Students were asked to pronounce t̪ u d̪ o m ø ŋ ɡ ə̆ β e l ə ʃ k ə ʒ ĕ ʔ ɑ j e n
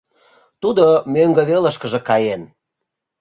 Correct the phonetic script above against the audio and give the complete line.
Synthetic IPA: t̪ u d̪ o m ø ŋ ɡ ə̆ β e l ə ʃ k ə ʒ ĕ k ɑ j e n